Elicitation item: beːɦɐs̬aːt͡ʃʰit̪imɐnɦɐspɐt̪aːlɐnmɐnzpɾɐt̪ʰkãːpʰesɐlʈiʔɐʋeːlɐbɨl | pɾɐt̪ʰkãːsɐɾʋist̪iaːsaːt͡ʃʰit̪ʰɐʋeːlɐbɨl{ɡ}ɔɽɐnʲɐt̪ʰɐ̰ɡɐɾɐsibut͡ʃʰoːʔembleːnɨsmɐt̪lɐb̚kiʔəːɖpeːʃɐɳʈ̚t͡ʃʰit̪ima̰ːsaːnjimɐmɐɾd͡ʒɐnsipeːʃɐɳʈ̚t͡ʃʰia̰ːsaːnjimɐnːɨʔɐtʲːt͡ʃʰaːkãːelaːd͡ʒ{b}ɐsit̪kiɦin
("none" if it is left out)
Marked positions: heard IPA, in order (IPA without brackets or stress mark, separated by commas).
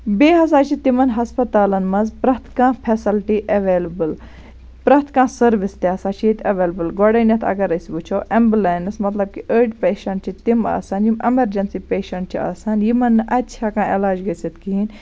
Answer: ɡ, ɡ